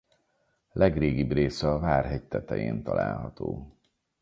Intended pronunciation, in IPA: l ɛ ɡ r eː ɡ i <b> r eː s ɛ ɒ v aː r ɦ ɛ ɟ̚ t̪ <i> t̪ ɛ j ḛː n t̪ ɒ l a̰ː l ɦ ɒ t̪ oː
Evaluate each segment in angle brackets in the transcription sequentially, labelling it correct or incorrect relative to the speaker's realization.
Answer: correct, incorrect: ɛ

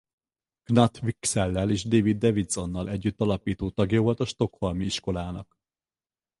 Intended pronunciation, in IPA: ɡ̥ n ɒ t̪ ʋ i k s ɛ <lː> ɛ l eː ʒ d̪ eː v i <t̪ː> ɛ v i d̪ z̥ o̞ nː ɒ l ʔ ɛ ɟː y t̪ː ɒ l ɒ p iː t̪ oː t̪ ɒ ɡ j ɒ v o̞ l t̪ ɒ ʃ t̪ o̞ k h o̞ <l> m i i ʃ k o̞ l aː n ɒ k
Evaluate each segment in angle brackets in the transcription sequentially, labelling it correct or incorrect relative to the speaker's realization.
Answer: correct, incorrect: d̪ː, correct

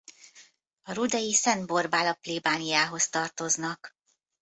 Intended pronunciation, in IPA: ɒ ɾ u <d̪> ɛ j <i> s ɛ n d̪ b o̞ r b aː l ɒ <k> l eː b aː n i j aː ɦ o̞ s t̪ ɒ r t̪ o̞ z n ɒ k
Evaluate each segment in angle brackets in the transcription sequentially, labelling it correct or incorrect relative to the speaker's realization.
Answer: correct, correct, incorrect: p

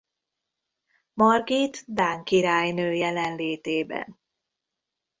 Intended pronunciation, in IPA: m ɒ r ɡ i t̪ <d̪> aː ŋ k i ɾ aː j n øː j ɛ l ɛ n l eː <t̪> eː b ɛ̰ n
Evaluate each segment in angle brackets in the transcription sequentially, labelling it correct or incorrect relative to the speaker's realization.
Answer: correct, correct

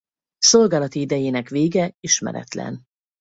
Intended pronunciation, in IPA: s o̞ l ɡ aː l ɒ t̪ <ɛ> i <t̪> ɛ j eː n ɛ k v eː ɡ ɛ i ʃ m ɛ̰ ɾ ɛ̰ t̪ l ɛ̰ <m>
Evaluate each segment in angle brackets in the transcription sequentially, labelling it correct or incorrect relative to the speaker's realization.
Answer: incorrect: i, incorrect: d̪, incorrect: n

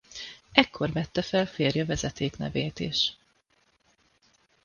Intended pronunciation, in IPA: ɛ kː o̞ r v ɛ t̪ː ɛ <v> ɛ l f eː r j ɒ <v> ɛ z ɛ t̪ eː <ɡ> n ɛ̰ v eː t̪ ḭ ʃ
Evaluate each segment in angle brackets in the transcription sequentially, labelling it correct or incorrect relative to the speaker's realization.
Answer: incorrect: f, correct, incorrect: k

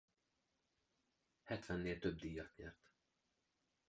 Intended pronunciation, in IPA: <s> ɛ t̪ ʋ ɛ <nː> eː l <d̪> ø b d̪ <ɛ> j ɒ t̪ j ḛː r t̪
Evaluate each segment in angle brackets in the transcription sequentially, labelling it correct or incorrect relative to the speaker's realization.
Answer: incorrect: h, correct, incorrect: t̪, incorrect: i

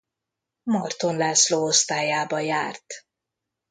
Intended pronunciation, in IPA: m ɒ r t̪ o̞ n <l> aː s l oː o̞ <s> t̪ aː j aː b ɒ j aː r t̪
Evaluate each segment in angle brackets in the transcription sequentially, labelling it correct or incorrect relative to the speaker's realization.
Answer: correct, correct

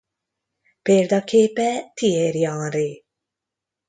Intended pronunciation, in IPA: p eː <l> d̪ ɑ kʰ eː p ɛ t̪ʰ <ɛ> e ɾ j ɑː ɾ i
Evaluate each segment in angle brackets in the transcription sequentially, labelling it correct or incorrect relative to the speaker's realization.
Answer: incorrect: ɾ, incorrect: i

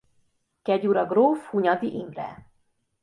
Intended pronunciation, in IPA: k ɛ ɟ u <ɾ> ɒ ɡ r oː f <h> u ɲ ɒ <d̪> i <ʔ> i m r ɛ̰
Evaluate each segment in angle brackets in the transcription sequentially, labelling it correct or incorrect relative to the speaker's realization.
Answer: correct, correct, correct, correct

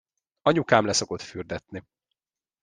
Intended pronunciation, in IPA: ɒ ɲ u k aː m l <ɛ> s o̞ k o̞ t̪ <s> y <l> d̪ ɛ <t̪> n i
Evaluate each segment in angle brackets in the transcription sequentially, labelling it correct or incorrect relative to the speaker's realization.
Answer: correct, incorrect: f, incorrect: r, correct

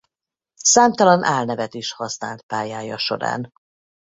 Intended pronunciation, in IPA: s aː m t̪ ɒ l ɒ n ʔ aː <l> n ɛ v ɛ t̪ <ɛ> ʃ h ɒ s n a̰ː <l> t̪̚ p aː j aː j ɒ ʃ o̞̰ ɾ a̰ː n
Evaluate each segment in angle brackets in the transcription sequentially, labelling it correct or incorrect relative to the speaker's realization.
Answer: correct, incorrect: i, correct

